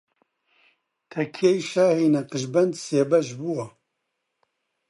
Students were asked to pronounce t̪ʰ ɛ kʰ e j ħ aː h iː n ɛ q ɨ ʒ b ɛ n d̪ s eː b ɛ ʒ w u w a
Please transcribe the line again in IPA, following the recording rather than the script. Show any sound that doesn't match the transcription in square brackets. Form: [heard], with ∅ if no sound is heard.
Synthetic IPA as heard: t̪ʰ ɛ kʰ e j [ʃ] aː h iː n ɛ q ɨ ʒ b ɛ n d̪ s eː b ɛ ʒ [b] u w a